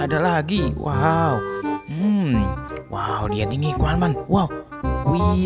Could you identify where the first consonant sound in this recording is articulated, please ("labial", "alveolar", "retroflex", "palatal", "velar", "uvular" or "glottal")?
alveolar